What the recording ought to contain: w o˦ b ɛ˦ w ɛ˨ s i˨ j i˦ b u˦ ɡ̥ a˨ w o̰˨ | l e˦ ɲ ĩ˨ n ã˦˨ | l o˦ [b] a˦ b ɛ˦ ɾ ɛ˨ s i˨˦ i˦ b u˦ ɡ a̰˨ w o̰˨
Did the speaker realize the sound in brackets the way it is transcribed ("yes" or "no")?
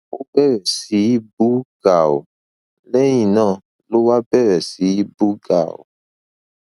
no